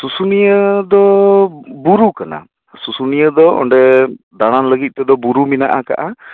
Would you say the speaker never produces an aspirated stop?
yes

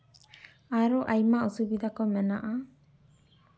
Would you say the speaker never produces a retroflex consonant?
yes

